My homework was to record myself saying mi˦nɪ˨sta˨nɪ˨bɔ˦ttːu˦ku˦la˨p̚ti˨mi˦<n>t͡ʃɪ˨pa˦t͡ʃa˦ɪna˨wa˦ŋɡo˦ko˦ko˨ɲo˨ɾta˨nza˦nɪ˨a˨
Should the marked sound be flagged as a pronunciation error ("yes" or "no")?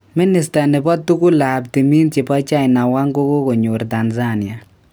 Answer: no